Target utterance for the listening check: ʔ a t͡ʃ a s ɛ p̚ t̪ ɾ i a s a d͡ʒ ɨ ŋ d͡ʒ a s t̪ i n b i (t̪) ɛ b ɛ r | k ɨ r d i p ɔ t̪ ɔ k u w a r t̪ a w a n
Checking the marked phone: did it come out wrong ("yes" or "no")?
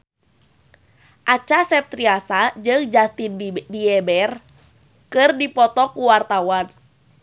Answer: yes